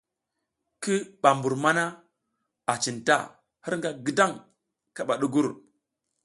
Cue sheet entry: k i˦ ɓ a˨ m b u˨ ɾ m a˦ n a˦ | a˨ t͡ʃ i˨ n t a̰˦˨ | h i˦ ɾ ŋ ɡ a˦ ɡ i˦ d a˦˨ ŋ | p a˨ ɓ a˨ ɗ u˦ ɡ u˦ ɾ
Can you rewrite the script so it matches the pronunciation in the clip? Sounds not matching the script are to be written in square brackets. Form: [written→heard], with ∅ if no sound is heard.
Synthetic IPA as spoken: k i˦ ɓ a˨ m b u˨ ɾ m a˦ n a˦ | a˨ t͡ʃ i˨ n t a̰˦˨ | h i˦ ɾ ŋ ɡ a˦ ɡ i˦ d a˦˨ ŋ | [p→k] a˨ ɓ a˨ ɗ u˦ ɡ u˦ ɾ